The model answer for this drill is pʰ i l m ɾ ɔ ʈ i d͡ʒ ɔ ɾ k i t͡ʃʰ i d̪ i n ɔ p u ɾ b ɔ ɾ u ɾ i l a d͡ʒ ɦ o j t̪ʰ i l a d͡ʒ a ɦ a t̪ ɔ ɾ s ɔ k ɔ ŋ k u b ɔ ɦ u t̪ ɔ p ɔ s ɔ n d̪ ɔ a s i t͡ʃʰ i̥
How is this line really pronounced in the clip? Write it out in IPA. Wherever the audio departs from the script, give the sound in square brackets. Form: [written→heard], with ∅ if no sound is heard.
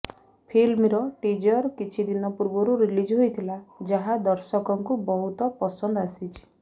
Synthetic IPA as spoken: pʰ i l m ɾ ɔ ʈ i d͡ʒ ɔ ɾ k i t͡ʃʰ i d̪ i n ɔ p u ɾ b ɔ ɾ u ɾ i l [a→i] d͡ʒ ɦ o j t̪ʰ i l a d͡ʒ a ɦ a [t̪→d̪] ɔ ɾ s ɔ k ɔ ŋ k u b ɔ ɦ u t̪ ɔ p ɔ s ɔ n d̪ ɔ a s i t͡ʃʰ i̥